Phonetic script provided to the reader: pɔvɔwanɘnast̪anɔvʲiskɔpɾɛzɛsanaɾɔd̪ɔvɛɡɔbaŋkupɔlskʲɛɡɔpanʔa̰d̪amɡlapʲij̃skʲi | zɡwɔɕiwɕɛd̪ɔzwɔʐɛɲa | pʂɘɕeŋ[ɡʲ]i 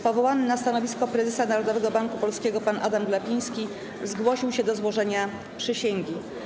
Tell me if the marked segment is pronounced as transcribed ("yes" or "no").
yes